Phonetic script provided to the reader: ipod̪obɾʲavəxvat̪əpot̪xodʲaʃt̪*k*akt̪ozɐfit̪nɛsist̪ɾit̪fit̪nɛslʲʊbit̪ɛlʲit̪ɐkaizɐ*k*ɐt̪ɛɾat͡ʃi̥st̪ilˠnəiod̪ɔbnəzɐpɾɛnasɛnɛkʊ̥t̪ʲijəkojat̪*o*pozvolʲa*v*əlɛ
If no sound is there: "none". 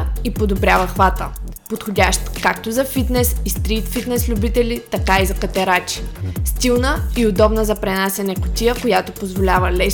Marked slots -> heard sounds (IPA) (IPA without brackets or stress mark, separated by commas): k, k, o, v